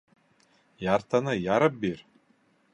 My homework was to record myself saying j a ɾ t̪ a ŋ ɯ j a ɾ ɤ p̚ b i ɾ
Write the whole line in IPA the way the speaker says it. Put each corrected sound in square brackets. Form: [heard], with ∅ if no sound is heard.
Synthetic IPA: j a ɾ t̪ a [n] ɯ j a ɾ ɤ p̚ b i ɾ